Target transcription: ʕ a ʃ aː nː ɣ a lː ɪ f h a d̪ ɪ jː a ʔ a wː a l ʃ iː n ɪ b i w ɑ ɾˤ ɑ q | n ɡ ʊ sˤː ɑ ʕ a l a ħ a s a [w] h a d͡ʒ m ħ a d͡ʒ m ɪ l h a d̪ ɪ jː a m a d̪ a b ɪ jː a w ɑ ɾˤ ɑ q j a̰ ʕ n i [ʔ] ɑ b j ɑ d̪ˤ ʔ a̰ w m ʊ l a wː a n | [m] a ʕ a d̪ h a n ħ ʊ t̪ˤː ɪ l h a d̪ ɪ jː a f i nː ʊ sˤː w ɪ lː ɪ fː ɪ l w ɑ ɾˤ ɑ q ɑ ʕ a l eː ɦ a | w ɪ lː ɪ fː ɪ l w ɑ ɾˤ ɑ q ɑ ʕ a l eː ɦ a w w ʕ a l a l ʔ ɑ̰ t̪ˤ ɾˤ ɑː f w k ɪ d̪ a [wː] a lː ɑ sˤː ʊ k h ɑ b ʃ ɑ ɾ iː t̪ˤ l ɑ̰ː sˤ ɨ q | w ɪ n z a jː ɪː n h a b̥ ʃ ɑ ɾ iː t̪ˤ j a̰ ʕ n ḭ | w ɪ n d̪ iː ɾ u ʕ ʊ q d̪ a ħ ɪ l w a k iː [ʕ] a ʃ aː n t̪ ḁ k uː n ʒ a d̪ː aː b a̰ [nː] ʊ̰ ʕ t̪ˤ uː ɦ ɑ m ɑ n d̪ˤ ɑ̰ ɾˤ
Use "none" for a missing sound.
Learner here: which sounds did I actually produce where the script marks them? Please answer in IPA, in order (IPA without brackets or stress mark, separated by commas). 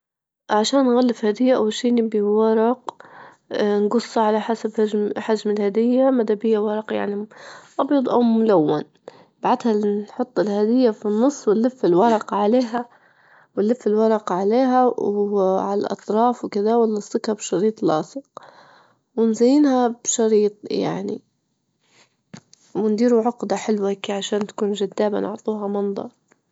b, ʔ, b, w, ʕ, n